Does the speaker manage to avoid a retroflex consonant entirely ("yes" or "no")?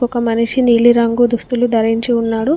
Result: no